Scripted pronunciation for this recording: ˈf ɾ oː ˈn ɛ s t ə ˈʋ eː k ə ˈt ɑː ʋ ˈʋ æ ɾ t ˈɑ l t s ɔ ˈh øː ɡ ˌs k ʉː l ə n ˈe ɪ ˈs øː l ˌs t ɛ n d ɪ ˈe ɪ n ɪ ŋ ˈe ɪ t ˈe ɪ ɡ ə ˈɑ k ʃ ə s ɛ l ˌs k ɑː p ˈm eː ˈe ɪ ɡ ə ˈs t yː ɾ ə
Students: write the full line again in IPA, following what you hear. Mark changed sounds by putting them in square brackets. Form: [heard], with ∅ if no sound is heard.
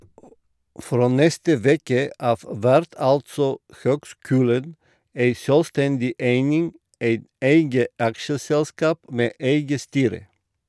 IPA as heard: ˈf ɾ oː ˈn ɛ s t ə ˈʋ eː k ə [ˈʔ] ɑː ʋ ˈʋ æ ɾ t ˈɑ l t s ɔ ˈh øː ɡ ˌs k ʉː l ə n ˈe ɪ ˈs øː l ˌs t ɛ n d ɪ ˈe ɪ n ɪ ŋ ˈe ɪ t ˈe ɪ ɡ ə ˈɑ k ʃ ə s ɛ l ˌs k ɑː p ˈm eː ˈe ɪ ɡ ə ˈs t yː ɾ ə